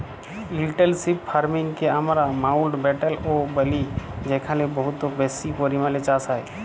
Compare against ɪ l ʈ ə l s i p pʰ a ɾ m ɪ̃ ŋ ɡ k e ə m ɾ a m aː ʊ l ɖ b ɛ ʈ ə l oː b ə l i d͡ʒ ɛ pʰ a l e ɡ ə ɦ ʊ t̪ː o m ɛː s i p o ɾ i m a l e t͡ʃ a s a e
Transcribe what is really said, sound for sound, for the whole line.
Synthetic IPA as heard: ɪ l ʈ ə l s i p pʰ a ɾ m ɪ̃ ŋ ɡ k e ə m ɾ a m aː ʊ l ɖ b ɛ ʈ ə l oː b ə l i d͡ʒ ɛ kʰ a l e b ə ɦ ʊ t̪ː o b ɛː s i p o ɾ i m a l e t͡ʃ a s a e

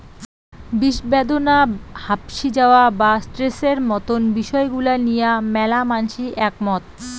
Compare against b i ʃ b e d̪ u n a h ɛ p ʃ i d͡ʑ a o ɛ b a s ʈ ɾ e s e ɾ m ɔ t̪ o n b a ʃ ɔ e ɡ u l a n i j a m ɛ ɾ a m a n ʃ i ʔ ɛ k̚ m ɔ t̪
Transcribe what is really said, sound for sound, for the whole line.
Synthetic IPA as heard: b i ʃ b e d̪ o n a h a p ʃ i d͡ʑ a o a b a s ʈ ɾ e s e ɾ m ɔ t̪ o n b i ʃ ɔ e ɡ u l a n i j a m ɛ l a m a n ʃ i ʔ ɛ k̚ m ɔ t̪

